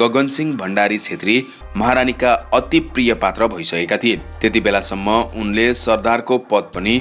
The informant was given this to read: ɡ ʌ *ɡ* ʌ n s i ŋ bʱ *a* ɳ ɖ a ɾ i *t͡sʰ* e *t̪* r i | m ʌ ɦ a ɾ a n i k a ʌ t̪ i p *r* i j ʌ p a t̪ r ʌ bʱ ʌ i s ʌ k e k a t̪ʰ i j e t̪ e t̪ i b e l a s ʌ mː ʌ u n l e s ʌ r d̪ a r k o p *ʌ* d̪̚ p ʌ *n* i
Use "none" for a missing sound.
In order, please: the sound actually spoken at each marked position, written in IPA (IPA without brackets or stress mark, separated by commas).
ɡ, ʌ, t͡sʰ, t̪, r, ʌ, n